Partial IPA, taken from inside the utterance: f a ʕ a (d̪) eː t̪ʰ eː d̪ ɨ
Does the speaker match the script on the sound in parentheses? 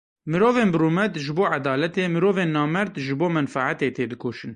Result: no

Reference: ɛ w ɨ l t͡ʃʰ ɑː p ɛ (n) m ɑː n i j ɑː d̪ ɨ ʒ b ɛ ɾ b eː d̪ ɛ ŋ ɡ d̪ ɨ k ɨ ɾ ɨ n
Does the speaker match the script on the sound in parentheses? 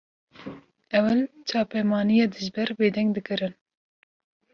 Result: no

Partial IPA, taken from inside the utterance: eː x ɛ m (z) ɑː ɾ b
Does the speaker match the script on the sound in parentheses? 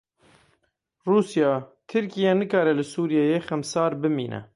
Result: no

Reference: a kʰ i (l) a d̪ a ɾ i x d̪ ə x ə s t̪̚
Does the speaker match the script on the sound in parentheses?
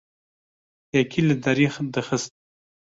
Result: yes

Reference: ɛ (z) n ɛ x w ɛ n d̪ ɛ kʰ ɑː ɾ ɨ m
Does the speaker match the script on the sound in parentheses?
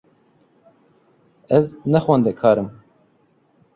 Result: yes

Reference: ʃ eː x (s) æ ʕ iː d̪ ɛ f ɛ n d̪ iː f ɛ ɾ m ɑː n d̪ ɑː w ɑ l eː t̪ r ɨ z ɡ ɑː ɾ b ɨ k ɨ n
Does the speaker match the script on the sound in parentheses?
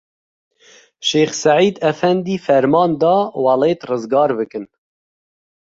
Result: yes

